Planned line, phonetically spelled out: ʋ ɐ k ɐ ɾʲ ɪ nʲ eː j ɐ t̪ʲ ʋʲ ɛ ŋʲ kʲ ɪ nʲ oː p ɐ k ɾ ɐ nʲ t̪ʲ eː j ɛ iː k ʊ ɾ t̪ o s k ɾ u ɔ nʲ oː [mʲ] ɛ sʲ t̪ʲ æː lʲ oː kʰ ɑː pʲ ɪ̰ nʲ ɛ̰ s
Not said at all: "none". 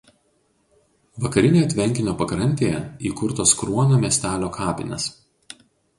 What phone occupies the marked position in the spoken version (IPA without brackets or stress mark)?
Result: mʲ